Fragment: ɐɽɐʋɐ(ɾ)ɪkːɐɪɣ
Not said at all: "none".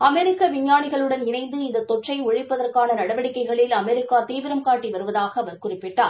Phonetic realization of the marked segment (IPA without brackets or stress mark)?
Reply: ɽ